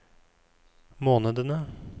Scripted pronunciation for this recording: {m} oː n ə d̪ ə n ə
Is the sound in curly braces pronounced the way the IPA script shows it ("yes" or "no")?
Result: yes